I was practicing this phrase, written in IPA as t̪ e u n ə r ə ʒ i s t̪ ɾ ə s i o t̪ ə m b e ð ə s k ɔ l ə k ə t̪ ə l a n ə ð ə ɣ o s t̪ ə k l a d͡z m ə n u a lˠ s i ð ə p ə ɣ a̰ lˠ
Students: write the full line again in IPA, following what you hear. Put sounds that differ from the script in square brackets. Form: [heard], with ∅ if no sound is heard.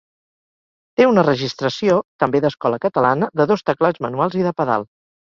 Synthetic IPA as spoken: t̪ e u n ə r ə ʒ i s t̪ ɾ ə s i o t̪ ə m b e ð ə s k ɔ l ə k ə t̪ ə l a n ə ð ə [ð] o s t̪ ə k l a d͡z m ə n u a lˠ [z] i ð ə p ə [ð] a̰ lˠ